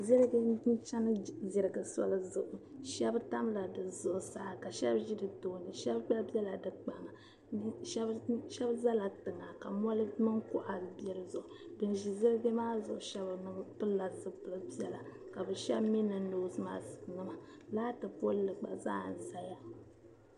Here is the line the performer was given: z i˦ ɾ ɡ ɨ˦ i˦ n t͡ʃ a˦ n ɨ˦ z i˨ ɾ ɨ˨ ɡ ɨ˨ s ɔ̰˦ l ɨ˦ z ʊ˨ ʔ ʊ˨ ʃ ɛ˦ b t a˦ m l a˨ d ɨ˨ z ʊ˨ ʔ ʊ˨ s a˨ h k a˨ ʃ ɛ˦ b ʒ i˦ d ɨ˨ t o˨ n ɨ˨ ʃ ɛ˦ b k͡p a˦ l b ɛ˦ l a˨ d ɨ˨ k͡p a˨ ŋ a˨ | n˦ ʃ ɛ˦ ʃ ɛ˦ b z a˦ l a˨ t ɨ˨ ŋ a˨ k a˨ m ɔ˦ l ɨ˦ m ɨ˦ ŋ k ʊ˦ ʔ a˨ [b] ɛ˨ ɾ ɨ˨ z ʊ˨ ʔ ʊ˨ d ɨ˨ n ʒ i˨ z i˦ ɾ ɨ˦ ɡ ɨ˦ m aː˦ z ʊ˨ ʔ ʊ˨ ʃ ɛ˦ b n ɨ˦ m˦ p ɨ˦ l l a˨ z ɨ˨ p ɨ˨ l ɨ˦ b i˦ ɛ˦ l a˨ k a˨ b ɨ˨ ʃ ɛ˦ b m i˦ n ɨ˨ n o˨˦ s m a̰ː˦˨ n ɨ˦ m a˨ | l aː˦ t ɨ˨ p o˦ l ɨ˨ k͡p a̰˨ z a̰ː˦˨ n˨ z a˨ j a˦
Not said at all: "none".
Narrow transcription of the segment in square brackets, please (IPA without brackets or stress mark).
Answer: b